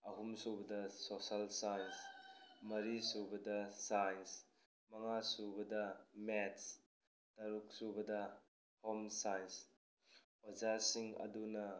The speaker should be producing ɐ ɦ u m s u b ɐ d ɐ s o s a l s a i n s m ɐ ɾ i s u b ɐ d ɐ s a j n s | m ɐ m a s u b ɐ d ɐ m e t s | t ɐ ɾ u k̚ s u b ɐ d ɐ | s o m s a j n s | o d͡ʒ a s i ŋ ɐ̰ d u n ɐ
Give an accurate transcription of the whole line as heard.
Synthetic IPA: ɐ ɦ u m s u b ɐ d ɐ s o s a l s a j n s m ɐ ɾ i s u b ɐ d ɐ s a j n s | m ɐ ŋ a s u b ɐ d ɐ m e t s | t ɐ ɾ u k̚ s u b ɐ d ɐ | h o m s a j n s | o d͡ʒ a s i ŋ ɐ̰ d u n ɐ